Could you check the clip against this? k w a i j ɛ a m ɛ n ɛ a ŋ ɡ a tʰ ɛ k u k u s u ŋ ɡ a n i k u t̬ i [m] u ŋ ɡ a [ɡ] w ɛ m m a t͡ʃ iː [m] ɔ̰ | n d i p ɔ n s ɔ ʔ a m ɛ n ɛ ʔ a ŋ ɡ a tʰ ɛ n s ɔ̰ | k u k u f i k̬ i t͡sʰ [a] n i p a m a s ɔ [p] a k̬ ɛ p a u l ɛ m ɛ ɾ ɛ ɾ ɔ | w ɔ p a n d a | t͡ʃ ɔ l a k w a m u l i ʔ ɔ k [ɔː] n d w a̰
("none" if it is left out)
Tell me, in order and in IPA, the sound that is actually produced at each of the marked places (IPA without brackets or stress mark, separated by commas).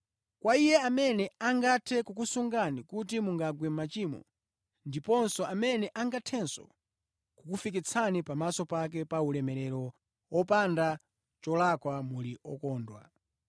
m, ɡ, m, a, p, ɔː